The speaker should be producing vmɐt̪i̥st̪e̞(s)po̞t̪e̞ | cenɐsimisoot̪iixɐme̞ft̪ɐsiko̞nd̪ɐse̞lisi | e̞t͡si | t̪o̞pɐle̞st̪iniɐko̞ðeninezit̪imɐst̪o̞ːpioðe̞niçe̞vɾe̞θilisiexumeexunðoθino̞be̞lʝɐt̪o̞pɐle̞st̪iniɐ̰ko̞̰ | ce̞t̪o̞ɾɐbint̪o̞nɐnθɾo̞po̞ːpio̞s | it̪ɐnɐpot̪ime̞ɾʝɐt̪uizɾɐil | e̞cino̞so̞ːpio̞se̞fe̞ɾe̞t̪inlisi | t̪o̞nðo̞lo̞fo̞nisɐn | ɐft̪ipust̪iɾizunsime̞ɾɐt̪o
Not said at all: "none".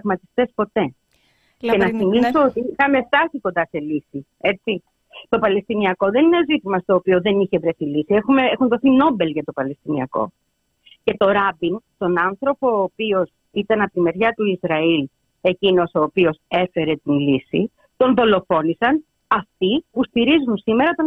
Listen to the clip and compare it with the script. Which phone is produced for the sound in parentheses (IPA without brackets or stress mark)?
s